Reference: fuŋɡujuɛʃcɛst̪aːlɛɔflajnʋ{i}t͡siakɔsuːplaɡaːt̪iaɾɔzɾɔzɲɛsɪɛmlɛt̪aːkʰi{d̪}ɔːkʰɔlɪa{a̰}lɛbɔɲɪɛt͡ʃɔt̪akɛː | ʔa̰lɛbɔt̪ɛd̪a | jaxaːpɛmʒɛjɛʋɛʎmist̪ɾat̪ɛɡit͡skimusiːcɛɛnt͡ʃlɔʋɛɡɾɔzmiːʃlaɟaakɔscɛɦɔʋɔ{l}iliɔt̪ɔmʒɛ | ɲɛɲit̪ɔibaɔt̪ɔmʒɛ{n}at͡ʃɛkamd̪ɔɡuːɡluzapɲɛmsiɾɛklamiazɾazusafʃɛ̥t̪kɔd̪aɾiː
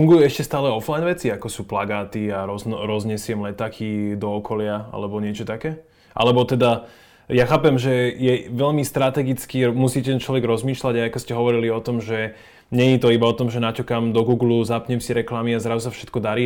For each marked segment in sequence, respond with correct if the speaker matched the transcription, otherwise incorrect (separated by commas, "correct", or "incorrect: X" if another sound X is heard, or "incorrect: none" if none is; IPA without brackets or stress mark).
incorrect: ɛ, correct, correct, incorrect: ɾ, correct